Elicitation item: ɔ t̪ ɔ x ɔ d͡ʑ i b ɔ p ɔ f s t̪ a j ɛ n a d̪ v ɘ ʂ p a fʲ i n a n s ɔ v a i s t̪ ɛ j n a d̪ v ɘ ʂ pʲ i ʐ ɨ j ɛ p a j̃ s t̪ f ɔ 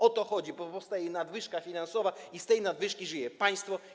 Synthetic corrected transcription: ɔ t̪ ɔ x ɔ d͡ʑ i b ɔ p ɔ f s t̪ a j ɛ n a d̪ v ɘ ʂ k a fʲ i n a n s ɔ v a i s t̪ ɛ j n a d̪ v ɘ ʂ kʲ i ʐ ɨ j ɛ p a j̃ s t̪ f ɔ